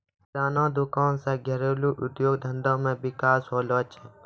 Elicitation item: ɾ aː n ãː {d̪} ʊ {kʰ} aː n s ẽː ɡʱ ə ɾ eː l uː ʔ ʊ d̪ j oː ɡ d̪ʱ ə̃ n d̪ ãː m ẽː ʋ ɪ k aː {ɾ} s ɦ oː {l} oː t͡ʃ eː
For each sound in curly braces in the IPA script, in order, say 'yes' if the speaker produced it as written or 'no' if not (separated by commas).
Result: yes, no, no, yes